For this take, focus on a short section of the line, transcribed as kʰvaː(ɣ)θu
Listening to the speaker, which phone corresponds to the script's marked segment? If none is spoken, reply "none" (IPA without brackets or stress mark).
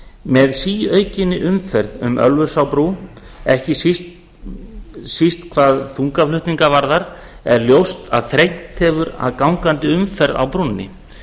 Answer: ð